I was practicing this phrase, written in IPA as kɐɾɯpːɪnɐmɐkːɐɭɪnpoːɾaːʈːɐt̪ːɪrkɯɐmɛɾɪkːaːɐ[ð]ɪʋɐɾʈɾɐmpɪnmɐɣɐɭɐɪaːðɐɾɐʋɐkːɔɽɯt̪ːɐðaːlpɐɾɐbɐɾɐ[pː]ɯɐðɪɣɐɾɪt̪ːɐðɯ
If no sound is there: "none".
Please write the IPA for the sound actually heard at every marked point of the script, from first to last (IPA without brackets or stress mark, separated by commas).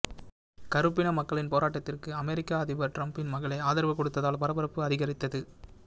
ð, pː